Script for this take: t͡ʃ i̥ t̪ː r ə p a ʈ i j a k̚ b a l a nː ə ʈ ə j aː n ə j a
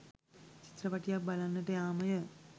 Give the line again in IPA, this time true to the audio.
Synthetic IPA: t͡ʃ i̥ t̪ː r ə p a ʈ i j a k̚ b a l a nː ə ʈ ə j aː m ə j ə